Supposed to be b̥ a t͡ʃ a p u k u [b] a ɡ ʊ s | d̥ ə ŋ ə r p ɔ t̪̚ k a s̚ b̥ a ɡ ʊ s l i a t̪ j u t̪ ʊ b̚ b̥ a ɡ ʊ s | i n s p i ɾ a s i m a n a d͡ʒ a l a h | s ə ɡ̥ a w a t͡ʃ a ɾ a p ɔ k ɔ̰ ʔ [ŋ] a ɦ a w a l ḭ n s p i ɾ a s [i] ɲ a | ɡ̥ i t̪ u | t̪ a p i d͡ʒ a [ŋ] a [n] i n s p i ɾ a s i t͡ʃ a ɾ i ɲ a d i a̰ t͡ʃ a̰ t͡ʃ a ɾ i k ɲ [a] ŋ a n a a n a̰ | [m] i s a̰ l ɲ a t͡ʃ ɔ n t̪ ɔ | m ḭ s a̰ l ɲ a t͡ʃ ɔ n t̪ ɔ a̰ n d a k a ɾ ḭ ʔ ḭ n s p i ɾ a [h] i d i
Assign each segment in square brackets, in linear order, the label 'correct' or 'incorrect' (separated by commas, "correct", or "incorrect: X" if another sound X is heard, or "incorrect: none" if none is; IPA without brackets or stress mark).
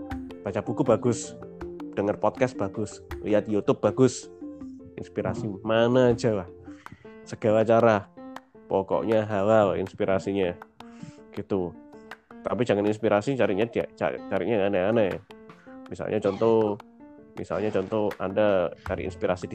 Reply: correct, incorrect: ɲ, correct, correct, correct, correct, correct, incorrect: s